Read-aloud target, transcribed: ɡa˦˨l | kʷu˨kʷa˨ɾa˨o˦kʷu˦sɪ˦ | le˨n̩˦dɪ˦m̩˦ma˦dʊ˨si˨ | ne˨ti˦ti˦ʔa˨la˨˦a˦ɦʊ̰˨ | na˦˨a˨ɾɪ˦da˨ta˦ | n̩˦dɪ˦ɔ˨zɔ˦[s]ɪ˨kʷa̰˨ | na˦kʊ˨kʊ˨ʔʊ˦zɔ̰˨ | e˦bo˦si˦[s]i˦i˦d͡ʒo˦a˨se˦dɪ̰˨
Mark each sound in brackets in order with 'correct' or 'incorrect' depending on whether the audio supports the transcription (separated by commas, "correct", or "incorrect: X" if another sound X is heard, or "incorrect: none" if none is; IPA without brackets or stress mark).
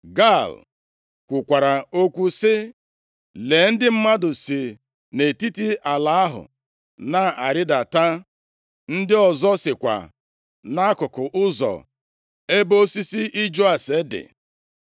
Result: correct, correct